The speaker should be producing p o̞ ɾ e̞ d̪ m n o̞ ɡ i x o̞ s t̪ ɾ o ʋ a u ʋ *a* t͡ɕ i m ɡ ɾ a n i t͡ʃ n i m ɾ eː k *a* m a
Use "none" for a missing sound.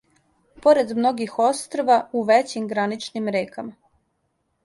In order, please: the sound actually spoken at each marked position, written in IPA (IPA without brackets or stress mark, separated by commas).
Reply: e, a